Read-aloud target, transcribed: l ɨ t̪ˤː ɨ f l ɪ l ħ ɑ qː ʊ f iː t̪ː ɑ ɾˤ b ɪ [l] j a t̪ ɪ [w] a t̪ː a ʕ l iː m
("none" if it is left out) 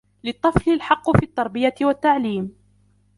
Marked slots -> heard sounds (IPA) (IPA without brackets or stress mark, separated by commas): none, w